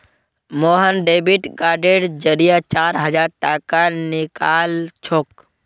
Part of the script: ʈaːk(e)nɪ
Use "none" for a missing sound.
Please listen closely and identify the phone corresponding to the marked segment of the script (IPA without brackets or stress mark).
a